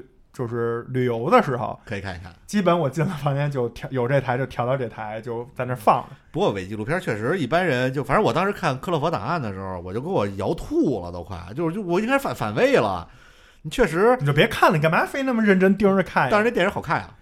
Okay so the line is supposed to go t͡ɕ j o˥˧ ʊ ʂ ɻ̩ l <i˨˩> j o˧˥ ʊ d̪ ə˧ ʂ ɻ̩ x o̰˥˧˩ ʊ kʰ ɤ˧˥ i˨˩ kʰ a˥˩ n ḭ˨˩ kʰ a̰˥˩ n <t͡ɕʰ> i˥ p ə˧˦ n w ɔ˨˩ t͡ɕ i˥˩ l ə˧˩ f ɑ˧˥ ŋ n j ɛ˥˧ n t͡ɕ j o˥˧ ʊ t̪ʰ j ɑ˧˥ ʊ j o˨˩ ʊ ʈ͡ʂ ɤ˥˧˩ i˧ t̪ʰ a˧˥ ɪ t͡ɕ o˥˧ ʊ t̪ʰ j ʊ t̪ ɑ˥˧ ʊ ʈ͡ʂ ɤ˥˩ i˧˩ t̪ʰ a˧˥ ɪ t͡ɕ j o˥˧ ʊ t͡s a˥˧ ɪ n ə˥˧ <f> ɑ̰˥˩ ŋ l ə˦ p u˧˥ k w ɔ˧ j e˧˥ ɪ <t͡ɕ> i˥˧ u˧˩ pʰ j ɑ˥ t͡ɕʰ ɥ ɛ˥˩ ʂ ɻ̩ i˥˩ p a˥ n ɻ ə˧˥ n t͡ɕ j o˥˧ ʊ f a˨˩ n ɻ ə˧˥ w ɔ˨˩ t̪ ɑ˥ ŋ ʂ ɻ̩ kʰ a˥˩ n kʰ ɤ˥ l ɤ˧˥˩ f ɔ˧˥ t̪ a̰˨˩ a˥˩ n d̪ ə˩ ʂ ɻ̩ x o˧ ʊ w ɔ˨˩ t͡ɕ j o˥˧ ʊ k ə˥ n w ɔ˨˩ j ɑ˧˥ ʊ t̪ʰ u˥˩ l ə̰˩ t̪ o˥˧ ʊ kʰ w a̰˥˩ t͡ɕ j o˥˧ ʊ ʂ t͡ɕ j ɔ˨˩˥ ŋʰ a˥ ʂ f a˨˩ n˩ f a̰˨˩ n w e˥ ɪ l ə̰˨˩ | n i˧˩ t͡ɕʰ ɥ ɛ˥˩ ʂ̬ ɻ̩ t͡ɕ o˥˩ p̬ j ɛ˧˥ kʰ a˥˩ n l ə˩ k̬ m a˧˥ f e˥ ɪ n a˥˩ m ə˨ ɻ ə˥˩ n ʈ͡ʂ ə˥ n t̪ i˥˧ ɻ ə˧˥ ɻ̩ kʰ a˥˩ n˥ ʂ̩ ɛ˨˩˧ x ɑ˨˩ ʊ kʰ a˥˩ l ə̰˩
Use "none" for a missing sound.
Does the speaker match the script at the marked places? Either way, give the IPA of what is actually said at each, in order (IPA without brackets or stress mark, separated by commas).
y˨˩, t͡ɕ, f, t͡ɕ